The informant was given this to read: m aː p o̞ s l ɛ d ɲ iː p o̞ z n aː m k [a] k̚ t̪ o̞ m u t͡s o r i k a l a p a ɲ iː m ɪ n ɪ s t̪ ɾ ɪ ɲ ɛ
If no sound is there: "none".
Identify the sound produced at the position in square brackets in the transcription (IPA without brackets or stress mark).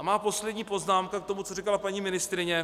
a